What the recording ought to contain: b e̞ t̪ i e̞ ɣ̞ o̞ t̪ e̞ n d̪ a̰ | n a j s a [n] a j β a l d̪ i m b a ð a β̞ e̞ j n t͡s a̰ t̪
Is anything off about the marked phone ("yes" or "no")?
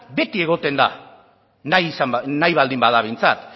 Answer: no